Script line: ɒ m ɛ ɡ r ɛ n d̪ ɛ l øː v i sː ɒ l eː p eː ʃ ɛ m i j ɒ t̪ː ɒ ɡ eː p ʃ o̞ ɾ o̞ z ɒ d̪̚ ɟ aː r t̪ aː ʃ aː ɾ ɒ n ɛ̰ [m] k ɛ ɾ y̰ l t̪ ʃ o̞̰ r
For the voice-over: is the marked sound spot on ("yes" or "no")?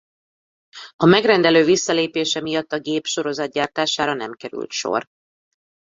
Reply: yes